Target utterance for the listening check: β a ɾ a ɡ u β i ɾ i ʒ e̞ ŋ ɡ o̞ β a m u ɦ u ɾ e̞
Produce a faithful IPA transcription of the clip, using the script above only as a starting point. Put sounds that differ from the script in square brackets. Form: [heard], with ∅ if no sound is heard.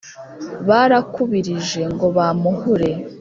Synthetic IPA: β a ɾ a [k] u β i ɾ i ʒ e̞ ŋ ɡ o̞ β a m u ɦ u ɾ e̞